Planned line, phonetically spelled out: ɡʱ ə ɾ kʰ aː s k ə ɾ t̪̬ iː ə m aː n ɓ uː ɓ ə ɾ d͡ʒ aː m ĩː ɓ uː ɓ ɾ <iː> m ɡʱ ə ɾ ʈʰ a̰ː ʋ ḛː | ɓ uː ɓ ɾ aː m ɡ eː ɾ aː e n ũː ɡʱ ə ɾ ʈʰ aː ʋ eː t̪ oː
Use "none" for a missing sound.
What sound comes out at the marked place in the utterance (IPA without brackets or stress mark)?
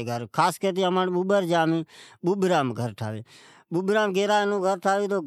aː